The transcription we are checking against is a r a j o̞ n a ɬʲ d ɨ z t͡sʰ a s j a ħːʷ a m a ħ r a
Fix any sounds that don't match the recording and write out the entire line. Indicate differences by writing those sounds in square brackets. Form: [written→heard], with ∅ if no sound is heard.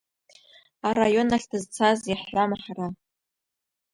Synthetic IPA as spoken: a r a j o̞ n a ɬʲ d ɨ z t͡sʰ a [s→z] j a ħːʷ a m a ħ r a